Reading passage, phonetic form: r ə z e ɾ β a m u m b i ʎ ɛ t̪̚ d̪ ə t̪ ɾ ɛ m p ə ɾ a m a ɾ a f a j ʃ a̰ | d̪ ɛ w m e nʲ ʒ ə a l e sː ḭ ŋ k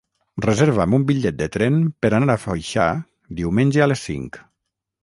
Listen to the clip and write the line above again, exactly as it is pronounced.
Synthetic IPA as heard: r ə z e ɾ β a m u m b i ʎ ɛ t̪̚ d̪ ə t̪ ɾ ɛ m p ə ɾ a n a ɾ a f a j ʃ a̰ | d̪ i w m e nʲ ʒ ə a l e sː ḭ ŋ k